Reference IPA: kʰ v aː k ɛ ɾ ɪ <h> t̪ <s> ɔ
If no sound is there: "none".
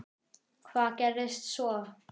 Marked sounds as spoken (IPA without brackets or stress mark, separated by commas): s, s